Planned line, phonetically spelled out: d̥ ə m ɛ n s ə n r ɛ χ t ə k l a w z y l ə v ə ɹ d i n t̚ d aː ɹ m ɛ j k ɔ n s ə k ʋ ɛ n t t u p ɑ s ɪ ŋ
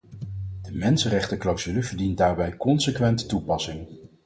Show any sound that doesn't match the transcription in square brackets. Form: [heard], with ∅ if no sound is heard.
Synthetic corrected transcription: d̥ ə m ɛ n s ə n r ɛ χ t ə k l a w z y l ə v ə ɹ d i n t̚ d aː ɹ [b] ɛ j k ɔ n s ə k ʋ ɛ n t t u p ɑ s ɪ ŋ